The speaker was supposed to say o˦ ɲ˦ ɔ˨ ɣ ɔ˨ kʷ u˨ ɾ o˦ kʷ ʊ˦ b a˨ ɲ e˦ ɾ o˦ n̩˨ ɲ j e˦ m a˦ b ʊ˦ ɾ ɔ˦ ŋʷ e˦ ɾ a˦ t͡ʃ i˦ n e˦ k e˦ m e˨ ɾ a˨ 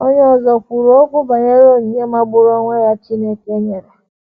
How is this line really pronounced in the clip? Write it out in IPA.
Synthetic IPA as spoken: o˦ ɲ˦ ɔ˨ z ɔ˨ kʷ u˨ ɾ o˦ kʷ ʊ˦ b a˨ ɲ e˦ ɾ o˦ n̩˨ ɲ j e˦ m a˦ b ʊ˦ ɾ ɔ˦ ŋʷ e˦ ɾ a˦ t͡ʃ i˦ n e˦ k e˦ ɲ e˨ ɾ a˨